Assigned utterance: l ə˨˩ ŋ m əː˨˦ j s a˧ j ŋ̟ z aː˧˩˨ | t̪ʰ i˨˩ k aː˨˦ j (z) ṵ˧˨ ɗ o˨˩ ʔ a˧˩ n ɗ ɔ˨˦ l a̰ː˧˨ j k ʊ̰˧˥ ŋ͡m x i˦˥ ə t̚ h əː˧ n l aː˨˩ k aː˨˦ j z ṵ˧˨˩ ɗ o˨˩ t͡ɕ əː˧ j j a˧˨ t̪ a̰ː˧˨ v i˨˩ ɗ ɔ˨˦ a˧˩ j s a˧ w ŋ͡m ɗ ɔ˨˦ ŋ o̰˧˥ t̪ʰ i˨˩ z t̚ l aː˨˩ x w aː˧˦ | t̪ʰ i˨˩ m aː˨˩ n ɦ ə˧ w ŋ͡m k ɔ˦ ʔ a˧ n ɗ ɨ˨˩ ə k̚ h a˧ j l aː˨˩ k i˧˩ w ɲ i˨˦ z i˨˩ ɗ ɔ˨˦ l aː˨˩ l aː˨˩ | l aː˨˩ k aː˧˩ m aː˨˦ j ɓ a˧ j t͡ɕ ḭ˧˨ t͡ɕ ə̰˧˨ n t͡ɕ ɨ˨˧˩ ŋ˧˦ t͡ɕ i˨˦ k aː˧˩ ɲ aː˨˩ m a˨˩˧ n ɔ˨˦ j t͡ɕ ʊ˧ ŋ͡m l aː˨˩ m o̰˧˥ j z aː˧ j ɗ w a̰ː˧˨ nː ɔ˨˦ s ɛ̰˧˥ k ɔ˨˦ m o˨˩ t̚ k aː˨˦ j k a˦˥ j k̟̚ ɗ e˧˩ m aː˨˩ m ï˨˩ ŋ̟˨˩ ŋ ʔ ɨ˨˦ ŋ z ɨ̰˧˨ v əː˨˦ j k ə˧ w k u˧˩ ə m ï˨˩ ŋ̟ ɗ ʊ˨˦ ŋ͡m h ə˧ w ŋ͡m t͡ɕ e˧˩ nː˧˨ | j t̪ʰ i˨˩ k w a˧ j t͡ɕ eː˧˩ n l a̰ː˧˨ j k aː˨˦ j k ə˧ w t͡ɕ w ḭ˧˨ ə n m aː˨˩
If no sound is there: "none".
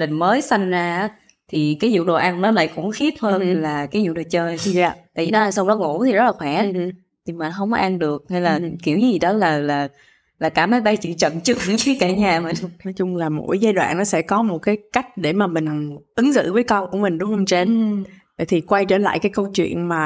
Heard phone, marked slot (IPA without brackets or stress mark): z